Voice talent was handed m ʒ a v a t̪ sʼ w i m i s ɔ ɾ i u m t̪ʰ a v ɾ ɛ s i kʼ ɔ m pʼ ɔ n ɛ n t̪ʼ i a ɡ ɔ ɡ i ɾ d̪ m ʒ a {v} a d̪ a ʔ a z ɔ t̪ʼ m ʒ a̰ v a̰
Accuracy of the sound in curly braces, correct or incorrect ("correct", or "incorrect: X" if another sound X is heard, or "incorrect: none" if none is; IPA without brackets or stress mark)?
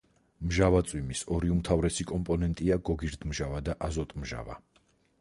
correct